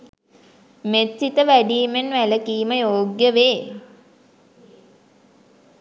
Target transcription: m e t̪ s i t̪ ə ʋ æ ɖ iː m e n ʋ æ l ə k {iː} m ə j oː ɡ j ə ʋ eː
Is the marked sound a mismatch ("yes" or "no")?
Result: no